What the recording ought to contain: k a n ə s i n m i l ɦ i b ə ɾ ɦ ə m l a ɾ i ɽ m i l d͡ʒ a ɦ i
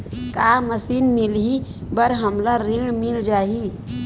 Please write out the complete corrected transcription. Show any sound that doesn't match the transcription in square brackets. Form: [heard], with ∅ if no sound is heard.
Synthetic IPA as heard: k a [m] ə s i n m i l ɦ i b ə ɾ ɦ ə m l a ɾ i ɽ m i l d͡ʒ a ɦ i